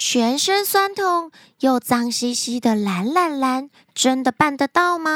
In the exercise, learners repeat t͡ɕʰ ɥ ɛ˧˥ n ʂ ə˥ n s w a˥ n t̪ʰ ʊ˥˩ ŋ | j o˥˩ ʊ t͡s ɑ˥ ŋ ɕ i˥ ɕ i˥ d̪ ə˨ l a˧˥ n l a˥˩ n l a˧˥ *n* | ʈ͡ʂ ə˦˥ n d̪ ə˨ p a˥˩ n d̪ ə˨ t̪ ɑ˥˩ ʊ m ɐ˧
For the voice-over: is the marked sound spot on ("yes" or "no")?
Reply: yes